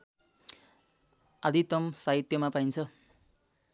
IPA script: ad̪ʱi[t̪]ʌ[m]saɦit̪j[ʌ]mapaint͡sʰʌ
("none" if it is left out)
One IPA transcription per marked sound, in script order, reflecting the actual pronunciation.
t̪, m, ʌ

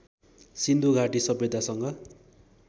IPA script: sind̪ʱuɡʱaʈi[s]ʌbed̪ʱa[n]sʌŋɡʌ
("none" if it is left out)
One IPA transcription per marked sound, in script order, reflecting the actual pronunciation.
s, none

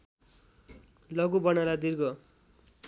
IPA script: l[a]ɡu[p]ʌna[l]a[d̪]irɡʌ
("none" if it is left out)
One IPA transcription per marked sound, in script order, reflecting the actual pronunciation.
ʌ, b, l, d̪

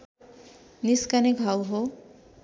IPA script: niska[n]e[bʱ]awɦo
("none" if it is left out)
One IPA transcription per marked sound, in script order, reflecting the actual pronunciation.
n, ɡʱ

